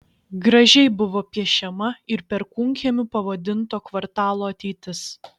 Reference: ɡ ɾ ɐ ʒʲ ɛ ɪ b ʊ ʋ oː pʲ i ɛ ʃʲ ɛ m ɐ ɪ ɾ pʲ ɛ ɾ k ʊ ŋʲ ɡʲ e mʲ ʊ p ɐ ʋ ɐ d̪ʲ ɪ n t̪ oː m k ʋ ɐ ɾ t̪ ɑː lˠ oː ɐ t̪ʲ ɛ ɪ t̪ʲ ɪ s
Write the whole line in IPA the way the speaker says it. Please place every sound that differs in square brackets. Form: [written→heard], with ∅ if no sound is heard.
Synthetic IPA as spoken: ɡ ɾ ɐ ʒʲ ɛ ɪ b ʊ ʋ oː pʲ i ɛ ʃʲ ɛ m ɐ ɪ ɾ pʲ ɛ ɾ k ʊ ŋʲ [ɡʲ→kʲ] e mʲ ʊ p ɐ ʋ ɐ d̪ʲ ɪ n t̪ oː [m→∅] k ʋ ɐ ɾ t̪ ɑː lˠ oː ɐ t̪ʲ ɛ ɪ t̪ʲ ɪ s